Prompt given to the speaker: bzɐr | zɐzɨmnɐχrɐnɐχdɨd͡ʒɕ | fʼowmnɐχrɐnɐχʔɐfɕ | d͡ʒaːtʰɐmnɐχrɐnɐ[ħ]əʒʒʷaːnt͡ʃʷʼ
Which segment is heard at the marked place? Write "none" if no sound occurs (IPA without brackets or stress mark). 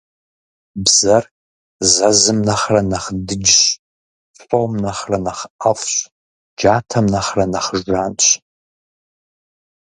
χ